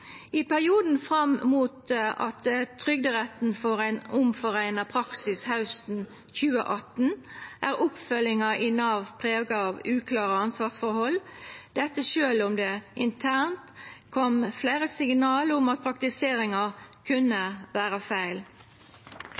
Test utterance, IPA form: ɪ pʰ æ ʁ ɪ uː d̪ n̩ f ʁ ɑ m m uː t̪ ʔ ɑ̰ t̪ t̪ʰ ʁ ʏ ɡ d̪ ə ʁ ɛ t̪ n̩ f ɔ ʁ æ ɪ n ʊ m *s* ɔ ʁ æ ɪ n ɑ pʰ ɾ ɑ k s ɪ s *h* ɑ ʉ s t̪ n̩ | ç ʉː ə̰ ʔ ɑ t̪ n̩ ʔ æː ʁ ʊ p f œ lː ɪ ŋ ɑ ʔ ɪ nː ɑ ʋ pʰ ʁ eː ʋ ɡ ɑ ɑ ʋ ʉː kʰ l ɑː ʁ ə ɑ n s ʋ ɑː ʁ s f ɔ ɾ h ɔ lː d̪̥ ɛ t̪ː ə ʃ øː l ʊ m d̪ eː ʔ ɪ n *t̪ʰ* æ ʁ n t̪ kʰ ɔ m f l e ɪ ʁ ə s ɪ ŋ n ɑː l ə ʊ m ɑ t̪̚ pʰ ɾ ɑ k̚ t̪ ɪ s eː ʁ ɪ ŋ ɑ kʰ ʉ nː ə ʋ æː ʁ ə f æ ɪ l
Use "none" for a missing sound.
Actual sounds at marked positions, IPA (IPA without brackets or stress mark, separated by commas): f, h, t̪ʰ